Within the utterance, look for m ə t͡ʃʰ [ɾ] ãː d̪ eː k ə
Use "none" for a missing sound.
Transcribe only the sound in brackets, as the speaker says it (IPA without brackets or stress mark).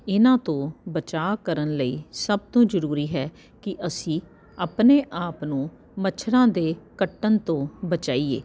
ɾ